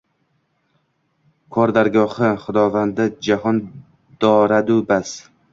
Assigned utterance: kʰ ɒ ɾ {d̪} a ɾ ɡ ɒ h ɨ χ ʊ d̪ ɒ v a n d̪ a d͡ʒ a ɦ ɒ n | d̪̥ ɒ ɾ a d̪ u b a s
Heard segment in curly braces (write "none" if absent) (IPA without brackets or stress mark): d̪